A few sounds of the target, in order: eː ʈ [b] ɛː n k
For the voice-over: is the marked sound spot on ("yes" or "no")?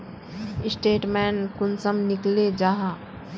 no